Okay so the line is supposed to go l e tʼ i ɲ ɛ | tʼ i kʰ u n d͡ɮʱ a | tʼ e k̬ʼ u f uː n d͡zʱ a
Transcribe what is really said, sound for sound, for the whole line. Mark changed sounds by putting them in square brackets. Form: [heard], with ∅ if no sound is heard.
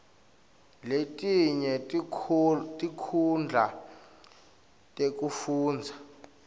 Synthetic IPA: l e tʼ i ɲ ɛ | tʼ i kʰ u n d͡ɮʱ a | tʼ e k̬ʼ u f uː n d͡zʱ a